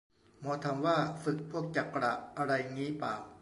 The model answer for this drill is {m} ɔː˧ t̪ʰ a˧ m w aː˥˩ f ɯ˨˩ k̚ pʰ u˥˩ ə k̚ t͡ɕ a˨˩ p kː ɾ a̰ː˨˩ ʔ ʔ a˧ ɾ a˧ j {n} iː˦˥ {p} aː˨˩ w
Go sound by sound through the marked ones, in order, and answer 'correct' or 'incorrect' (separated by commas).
correct, incorrect, correct